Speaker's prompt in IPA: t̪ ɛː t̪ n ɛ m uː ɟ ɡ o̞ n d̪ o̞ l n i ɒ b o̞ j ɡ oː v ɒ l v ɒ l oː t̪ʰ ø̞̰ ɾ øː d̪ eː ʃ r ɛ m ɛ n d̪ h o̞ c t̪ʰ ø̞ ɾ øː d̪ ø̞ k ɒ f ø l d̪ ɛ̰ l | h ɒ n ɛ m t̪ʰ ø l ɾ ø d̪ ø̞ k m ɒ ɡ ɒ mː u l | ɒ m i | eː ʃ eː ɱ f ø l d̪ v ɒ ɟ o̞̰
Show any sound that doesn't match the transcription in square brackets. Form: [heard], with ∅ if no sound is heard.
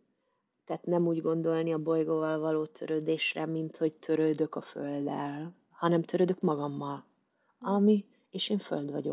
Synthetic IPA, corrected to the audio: t̪ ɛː t̪ n ɛ m uː ɟ ɡ o̞ n d̪ o̞ l n i ɒ b o̞ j ɡ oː v ɒ l v ɒ l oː t̪ʰ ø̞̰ ɾ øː d̪ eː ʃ r ɛ m [i] n [t̪] h o̞ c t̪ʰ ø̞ ɾ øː d̪ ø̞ k ɒ f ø l d̪ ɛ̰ l | h ɒ n ɛ m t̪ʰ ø [∅] ɾ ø d̪ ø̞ k m ɒ ɡ ɒ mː [ɒ] l | ɒ m i | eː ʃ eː ɱ f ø l d̪ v ɒ ɟ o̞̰